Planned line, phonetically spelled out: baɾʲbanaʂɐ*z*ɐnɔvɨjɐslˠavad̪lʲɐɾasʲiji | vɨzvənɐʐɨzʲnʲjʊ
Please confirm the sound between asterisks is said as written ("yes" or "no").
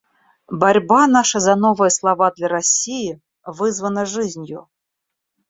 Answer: yes